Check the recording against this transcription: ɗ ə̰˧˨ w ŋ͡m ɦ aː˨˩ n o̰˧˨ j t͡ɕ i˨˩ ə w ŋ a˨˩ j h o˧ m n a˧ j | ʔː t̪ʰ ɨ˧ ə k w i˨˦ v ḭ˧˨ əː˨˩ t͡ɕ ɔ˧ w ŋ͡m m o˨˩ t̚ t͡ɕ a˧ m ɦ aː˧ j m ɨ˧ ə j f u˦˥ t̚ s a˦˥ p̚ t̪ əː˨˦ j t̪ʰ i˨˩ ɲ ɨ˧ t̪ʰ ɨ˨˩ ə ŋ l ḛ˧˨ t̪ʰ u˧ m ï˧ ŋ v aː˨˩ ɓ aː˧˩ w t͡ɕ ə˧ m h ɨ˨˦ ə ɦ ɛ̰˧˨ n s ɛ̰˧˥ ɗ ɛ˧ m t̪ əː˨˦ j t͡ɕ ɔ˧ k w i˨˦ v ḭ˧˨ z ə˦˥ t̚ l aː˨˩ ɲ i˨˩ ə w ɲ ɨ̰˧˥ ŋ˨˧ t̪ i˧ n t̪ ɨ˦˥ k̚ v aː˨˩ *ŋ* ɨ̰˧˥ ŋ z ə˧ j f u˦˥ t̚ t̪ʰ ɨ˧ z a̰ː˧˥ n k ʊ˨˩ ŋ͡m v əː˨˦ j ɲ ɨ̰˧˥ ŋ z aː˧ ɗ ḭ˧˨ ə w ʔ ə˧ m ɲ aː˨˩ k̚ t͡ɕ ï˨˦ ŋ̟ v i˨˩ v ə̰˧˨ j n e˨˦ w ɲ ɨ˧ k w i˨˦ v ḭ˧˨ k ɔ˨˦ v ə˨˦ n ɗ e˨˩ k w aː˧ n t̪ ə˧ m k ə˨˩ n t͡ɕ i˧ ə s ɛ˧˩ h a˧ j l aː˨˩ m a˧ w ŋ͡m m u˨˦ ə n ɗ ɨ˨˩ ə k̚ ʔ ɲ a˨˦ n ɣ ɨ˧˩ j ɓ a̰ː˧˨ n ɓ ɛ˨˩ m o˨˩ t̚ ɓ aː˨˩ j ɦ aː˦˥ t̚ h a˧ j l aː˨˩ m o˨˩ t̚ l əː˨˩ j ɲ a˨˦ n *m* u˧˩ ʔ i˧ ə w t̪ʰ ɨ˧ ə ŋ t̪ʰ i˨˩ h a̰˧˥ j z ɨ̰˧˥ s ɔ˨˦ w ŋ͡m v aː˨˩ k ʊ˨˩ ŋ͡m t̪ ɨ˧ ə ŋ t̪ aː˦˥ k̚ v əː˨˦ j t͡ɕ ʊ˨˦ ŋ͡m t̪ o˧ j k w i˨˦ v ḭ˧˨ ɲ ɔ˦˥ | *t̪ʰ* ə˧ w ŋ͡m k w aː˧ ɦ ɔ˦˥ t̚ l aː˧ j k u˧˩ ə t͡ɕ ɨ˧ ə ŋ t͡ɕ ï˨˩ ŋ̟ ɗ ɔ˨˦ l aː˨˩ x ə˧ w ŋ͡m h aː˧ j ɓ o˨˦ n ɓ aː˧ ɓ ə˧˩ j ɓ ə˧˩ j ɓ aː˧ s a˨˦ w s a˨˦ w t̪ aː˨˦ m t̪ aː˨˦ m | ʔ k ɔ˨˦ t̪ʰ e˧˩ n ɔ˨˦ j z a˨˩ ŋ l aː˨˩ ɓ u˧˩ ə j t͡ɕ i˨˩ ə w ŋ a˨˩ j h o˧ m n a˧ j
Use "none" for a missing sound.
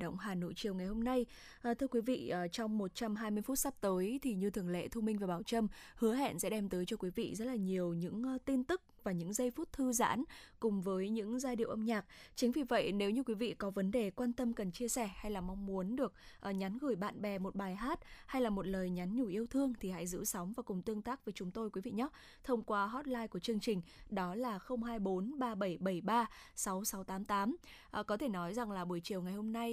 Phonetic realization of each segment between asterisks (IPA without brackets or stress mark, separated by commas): ɲ, ɲ, t̪ʰ